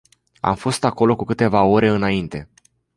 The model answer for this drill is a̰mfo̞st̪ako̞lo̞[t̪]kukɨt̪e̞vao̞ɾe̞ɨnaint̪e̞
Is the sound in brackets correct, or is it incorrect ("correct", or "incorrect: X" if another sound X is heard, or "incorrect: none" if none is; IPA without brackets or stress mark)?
incorrect: none